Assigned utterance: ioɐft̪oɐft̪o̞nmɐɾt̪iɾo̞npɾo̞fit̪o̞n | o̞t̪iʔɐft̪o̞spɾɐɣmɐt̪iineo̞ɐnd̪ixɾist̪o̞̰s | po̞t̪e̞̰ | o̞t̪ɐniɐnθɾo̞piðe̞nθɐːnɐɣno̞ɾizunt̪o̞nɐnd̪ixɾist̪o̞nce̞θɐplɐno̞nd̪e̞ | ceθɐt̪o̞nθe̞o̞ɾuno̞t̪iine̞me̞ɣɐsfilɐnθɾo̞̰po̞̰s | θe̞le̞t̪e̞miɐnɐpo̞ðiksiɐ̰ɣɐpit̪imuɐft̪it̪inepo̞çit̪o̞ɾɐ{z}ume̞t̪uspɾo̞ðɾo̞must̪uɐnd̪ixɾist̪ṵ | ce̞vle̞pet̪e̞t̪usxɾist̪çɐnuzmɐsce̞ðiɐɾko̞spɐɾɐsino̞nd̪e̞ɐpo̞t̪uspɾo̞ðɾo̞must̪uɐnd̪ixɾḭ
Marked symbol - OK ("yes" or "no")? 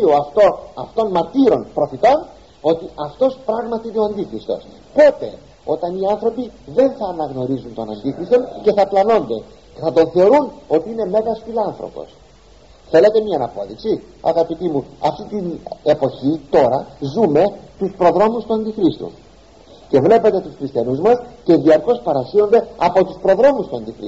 yes